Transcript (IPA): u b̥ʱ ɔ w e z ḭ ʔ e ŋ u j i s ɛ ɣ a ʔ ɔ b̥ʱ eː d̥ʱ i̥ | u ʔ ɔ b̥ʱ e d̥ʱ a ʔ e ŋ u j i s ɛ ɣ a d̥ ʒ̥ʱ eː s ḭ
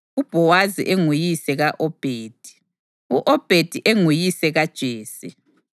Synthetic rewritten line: u b̥ʱ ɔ w a z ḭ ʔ e ŋ u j i s ɛ ɣ a ʔ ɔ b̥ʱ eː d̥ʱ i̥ | u ʔ ɔ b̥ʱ e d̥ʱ i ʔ e ŋ u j i s ɛ ɣ a d̥ ʒ̥ʱ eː s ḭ